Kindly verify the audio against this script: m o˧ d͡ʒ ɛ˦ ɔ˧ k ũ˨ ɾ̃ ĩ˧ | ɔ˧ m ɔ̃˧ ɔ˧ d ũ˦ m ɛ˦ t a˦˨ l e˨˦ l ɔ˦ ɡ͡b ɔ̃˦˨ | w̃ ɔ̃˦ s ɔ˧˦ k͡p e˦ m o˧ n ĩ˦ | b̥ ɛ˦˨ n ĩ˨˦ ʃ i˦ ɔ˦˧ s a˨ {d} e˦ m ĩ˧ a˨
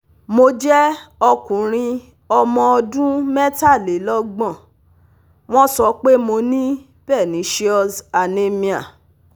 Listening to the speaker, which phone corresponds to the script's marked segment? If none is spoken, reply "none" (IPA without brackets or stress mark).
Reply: n